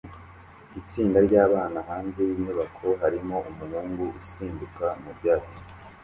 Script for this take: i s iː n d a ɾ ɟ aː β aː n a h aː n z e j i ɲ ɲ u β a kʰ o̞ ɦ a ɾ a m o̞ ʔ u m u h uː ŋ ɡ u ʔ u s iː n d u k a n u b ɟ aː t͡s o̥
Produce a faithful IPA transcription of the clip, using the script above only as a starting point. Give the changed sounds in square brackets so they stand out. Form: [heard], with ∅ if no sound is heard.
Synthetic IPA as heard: i [t͡s] iː n d a ɾ ɟ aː β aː n a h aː n z e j i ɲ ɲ u β a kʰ o̞ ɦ a ɾ [i] m o̞ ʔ u m u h uː ŋ ɡ u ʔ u s iː n d u k a [m] u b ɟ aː t͡s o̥